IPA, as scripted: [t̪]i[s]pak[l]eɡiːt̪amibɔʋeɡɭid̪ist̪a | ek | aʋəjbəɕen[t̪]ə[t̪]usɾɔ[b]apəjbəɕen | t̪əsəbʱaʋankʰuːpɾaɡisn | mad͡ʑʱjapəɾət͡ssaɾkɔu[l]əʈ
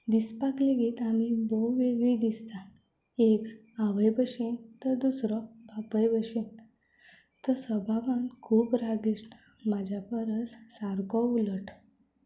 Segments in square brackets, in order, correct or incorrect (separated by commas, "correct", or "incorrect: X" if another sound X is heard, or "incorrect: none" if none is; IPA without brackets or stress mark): incorrect: d̪, correct, correct, correct, incorrect: d̪, correct, correct